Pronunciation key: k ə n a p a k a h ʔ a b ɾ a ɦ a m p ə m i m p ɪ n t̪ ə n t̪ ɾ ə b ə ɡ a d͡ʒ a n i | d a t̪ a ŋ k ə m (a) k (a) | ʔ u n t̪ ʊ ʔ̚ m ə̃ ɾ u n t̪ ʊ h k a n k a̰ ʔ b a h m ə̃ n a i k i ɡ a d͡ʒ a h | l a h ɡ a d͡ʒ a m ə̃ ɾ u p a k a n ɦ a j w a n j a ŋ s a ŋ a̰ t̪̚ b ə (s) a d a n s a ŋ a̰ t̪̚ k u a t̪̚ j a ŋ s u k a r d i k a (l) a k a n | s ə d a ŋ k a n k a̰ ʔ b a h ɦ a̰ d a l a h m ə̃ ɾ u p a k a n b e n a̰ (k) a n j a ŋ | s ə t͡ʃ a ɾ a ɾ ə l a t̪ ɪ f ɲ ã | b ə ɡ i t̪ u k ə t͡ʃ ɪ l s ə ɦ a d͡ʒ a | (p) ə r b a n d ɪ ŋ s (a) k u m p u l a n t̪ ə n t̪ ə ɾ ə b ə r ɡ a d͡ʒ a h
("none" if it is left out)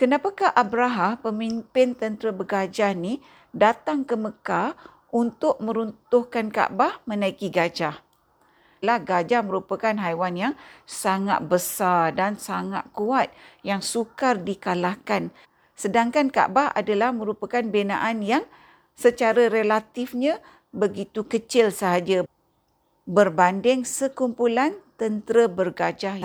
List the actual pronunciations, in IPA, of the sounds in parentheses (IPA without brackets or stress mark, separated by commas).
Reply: ə, a, s, l, ʔ, b, ə